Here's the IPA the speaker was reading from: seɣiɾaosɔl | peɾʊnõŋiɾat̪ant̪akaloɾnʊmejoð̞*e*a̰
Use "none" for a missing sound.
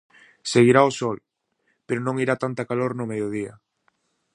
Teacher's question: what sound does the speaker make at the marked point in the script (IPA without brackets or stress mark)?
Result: i